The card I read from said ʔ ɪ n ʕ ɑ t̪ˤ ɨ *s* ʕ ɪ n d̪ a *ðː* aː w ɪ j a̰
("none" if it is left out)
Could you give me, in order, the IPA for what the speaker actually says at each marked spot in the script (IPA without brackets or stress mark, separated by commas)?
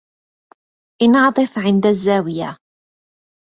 f, zː